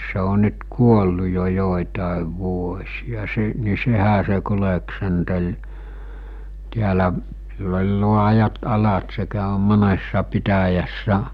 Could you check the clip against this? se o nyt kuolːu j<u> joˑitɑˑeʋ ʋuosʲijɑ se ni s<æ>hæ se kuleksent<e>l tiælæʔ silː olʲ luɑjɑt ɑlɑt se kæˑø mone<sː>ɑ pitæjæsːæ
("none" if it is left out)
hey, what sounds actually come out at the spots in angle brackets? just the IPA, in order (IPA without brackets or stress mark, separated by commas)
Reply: o, e, e, sː